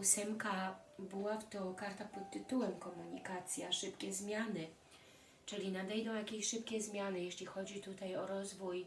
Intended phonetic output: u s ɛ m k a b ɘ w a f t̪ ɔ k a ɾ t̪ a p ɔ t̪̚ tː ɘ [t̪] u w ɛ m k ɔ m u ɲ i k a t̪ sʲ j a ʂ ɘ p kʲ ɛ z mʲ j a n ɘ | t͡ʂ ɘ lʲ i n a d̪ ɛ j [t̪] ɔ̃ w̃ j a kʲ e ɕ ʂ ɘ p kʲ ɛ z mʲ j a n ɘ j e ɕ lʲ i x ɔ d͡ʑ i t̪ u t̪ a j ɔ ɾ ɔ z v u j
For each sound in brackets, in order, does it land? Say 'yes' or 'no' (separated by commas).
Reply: yes, no